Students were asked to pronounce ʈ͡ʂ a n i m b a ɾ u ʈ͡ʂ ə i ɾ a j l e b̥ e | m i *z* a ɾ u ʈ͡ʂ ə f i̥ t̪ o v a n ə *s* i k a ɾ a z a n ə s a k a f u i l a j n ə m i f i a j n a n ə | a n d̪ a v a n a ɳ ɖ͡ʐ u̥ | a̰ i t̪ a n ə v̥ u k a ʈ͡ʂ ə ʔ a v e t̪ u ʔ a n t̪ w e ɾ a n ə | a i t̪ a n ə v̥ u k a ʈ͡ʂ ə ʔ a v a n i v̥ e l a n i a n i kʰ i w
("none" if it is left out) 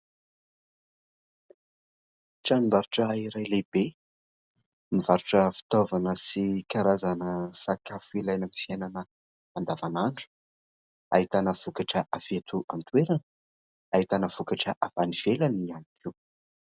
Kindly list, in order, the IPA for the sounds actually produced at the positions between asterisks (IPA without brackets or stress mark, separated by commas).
v, s